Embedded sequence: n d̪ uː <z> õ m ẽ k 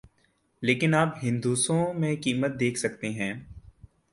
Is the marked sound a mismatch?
yes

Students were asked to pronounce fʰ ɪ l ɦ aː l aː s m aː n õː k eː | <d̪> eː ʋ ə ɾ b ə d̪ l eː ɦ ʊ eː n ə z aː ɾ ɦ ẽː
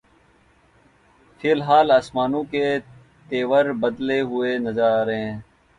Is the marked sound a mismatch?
yes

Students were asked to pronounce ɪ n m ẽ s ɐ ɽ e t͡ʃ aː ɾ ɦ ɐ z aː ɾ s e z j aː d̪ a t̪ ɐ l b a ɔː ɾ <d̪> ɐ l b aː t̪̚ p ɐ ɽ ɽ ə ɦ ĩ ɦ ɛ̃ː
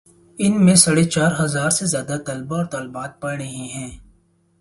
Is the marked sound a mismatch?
yes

